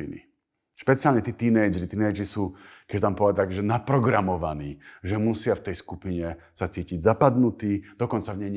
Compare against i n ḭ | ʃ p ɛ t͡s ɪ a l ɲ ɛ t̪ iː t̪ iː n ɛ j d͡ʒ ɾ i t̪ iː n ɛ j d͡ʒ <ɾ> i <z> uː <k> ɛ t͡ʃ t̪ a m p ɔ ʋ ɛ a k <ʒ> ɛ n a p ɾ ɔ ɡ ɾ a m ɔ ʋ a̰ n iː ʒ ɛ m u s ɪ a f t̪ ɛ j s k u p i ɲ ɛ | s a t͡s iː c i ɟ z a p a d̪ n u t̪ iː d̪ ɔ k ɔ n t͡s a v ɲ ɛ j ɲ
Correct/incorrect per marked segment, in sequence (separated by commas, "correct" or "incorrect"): correct, incorrect, correct, correct